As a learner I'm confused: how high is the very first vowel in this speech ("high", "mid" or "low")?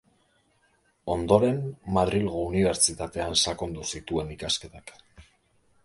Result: mid